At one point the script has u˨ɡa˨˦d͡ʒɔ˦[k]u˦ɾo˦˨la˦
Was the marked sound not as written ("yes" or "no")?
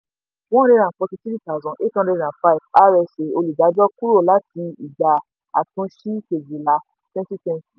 no